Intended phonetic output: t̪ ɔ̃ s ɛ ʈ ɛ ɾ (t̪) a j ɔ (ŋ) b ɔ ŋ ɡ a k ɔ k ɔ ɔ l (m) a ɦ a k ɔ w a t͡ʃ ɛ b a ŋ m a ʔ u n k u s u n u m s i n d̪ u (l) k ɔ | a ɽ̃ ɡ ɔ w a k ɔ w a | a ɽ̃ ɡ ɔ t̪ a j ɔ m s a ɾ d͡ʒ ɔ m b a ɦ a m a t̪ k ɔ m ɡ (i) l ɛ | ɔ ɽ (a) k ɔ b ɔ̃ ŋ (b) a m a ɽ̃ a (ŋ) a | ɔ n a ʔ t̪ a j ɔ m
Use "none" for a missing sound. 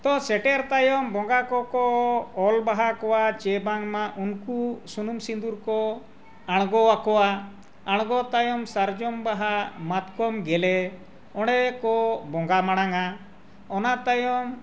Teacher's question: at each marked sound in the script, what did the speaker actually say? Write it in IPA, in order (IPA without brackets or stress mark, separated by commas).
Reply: t̪, m, b, ɾ, ɛ, ɛ, ɡ, ŋ